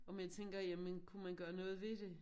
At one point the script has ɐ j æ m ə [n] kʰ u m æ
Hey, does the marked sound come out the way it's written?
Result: yes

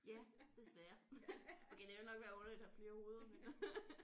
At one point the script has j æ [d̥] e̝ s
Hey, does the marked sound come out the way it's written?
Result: yes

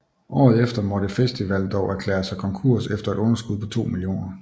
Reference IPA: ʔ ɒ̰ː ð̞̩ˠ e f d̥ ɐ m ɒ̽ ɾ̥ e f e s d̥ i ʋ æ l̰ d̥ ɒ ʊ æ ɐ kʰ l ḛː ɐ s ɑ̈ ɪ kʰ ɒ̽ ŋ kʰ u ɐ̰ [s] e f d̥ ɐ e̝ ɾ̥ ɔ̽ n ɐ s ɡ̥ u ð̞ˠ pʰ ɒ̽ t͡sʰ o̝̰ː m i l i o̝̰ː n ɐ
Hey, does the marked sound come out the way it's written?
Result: yes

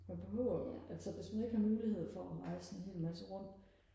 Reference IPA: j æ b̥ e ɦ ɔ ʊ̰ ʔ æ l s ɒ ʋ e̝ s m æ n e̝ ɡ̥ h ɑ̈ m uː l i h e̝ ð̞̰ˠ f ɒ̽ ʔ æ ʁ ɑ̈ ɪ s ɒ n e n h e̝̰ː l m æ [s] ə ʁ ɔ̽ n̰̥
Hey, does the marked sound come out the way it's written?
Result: yes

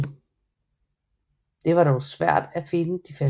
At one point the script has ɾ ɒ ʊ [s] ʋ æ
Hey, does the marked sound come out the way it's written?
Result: yes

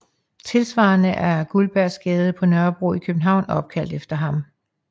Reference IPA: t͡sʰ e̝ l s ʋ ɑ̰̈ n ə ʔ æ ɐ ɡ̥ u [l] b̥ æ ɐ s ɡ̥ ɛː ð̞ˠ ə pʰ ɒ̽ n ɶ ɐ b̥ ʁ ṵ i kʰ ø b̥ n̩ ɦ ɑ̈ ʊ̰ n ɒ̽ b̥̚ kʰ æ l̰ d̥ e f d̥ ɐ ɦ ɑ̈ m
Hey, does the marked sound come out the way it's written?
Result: yes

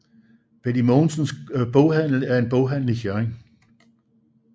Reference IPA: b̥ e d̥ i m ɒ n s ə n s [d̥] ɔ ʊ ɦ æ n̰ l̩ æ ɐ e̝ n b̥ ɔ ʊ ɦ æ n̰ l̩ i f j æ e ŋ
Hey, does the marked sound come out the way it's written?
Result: no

